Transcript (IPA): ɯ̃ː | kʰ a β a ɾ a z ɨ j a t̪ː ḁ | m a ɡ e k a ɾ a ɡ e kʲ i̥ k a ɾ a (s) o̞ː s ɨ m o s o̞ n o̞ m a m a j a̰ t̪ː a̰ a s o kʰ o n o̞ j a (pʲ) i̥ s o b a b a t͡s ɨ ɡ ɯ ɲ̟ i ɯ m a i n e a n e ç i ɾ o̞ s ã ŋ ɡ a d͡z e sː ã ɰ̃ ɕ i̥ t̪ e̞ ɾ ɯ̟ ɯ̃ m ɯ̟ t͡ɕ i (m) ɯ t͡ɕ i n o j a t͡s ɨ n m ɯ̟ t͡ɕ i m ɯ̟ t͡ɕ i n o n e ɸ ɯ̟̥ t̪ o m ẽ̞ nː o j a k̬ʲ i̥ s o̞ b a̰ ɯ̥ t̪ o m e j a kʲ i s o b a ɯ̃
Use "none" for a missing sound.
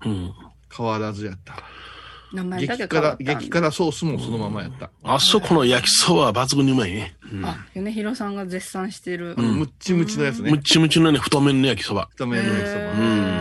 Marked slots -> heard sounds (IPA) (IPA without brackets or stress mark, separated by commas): s, kʲ, m